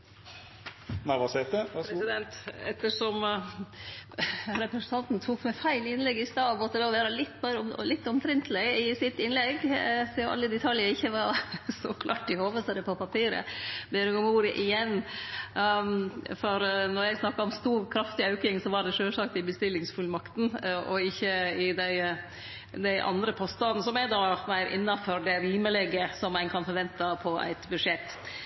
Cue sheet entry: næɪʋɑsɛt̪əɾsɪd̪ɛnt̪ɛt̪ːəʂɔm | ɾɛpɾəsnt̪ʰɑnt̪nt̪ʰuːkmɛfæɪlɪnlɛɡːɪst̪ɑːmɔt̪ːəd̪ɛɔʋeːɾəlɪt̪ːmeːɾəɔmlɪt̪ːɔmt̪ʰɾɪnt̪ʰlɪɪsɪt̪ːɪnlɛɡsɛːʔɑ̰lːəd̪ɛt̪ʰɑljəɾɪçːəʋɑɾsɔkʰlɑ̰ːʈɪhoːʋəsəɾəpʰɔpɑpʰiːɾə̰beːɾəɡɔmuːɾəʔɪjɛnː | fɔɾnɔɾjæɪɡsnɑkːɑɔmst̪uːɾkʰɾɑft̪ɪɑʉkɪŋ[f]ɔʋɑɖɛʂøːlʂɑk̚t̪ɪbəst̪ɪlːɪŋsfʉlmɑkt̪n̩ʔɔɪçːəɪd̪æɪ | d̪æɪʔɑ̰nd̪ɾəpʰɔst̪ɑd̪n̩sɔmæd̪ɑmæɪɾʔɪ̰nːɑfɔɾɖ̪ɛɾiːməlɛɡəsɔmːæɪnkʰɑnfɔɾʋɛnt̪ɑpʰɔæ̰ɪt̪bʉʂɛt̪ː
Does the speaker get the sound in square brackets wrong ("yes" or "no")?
yes